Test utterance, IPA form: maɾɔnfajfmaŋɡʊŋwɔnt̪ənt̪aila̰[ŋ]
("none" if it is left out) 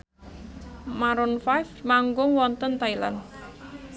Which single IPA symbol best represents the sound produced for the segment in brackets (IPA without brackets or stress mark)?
n